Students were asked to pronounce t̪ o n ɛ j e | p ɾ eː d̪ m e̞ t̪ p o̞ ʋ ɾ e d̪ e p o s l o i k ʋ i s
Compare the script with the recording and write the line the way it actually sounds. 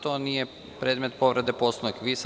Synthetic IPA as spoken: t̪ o n i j e | p ɾ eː d̪ m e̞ t̪ p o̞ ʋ ɾ e d̪ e p o s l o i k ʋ i s